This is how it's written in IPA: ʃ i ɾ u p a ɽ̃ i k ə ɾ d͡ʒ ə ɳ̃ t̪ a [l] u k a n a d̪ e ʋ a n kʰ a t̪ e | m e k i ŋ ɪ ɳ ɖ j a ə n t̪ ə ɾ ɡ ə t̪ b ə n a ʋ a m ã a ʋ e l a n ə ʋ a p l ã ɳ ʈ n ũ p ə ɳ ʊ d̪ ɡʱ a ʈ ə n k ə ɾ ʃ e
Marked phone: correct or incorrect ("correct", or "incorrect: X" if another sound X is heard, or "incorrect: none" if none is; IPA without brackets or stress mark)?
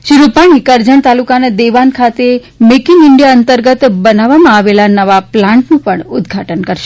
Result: correct